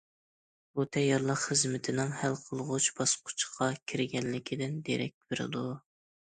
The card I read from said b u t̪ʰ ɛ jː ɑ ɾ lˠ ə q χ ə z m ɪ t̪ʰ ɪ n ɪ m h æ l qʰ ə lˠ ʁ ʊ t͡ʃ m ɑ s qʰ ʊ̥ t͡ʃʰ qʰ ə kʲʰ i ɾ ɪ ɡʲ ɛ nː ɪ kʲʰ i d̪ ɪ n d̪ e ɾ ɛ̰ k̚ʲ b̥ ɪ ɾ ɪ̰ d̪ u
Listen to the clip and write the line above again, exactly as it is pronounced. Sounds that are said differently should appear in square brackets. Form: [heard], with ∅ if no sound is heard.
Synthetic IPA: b u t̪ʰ ɛ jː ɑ ɾ lˠ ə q χ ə z m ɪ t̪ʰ ɪ n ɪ [ŋ] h æ l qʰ ə lˠ ʁ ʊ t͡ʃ [b] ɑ s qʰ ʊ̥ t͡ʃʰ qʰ [ɑ] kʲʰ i ɾ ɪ ɡʲ ɛ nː ɪ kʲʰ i d̪ ɪ n d̪ e ɾ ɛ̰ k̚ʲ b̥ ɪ ɾ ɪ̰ d̪ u